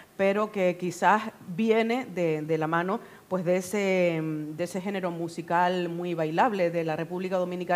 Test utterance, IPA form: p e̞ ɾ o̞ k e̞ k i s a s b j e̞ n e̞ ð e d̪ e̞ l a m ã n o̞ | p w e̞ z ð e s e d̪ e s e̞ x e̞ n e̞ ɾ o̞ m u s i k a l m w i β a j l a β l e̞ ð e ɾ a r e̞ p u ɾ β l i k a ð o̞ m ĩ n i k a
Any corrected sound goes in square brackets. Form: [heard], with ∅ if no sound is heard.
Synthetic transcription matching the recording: p e̞ ɾ o̞ k e̞ k i s a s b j e̞ n e̞ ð e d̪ e̞ l a m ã n o̞ | p w e̞ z ð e s e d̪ e s e̞ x e̞ n e̞ ɾ o̞ m u s i k a l m w i β a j l a β l e̞ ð e [l] a r e̞ p u [∅] β l i k a ð o̞ m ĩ n i k a